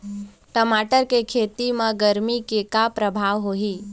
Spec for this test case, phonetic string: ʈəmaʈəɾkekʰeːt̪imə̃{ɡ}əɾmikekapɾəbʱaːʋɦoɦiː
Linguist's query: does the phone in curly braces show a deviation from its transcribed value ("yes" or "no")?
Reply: no